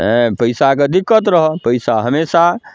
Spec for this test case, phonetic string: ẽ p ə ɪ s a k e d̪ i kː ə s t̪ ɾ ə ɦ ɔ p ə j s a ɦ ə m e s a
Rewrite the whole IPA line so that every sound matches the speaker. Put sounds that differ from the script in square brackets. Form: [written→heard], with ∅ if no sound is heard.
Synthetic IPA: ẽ p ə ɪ s a k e d̪ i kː ə [s→∅] t̪ ɾ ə ɦ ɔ p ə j s a ɦ ə m e s a